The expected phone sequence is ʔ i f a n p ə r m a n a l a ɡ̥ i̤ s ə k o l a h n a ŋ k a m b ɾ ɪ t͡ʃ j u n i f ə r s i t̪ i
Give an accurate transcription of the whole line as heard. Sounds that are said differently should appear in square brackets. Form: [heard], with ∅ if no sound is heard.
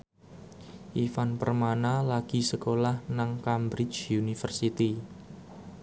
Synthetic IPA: ʔ i f a n p ə r m a n a l a ɡ̥ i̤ s ə k o l a h n a ŋ k a m b ɾ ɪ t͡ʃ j u n i f ə r s i t̪ i